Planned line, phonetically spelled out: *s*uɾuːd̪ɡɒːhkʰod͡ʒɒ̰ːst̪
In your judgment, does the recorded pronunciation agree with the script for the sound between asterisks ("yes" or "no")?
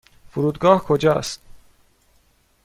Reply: no